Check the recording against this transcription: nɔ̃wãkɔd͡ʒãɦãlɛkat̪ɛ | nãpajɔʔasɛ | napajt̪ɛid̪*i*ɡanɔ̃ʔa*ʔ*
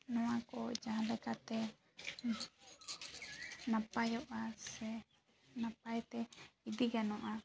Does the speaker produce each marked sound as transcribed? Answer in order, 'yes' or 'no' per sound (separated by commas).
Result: yes, no